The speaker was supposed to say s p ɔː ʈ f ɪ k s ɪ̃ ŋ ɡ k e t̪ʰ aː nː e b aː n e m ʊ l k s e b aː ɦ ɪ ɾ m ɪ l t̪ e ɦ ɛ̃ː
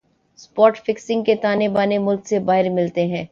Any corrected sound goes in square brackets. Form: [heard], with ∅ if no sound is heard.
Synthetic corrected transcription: s p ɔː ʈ f ɪ k s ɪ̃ ŋ ɡ k e [t̪] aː [n] e b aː n e m ʊ l k s e b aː ɦ ɪ ɾ m ɪ l t̪ e ɦ ɛ̃ː